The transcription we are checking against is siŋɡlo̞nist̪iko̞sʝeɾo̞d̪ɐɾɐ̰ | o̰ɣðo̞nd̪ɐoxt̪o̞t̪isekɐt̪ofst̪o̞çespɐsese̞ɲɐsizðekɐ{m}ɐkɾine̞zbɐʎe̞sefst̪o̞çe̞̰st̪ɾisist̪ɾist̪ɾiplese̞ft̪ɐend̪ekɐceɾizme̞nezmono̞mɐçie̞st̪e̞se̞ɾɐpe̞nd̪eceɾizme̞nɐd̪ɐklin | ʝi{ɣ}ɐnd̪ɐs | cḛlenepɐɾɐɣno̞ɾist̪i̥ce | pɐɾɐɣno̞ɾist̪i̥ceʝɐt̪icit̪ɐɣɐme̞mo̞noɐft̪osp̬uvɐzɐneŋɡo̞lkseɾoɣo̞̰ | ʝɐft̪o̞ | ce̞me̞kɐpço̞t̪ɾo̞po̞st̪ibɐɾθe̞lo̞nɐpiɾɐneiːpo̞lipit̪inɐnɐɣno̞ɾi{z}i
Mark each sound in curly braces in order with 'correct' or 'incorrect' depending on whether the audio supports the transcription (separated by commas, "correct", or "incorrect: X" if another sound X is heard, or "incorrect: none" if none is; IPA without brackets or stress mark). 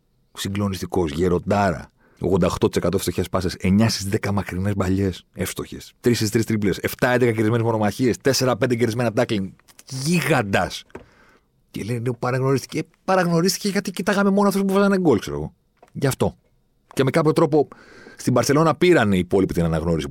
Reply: correct, correct, incorrect: s